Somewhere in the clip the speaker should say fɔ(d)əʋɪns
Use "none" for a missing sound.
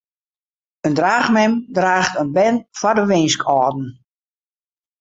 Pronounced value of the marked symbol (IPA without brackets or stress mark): d